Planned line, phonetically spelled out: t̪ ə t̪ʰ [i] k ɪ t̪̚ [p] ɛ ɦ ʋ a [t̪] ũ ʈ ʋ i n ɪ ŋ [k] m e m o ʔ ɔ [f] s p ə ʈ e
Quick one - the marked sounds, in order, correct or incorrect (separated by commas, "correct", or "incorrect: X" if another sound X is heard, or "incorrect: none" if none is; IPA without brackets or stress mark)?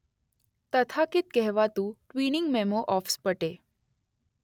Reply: incorrect: a, incorrect: k, correct, incorrect: ɡ, correct